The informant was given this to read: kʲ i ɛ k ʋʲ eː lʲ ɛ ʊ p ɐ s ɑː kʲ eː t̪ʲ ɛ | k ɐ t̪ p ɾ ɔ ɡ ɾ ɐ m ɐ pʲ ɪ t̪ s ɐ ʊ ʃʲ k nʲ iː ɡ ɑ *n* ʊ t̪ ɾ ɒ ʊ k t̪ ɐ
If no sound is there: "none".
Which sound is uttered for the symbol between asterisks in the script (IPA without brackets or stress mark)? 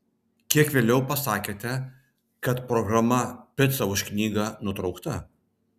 n